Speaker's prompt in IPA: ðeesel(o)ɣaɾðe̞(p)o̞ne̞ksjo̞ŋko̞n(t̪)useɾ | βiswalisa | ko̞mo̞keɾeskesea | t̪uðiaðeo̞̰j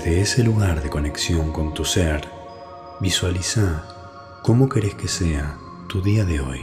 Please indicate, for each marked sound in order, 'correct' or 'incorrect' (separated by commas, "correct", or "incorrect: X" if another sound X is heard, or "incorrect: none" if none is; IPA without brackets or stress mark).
incorrect: u, incorrect: k, correct